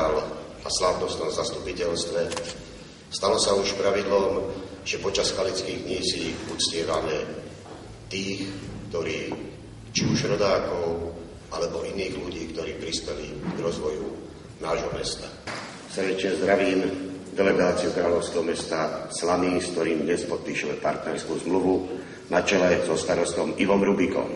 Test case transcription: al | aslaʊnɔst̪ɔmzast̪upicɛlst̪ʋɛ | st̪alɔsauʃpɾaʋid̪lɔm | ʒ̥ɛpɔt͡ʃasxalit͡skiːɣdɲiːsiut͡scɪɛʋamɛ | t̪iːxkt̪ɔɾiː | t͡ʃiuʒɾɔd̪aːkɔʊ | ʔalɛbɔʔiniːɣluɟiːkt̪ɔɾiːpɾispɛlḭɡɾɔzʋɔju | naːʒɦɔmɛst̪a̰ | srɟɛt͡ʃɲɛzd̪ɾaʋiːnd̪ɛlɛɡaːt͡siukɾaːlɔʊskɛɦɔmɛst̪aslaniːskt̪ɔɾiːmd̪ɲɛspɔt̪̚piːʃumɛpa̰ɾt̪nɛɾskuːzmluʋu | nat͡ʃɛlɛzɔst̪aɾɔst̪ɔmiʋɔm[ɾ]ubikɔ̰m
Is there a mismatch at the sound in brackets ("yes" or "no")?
no